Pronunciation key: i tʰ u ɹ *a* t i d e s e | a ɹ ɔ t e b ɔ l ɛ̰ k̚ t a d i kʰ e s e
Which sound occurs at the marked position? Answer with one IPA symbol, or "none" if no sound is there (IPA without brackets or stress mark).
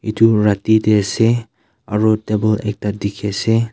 a